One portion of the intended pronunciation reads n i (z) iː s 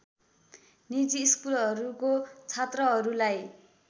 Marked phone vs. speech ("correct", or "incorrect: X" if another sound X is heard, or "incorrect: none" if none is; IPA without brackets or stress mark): incorrect: d͡z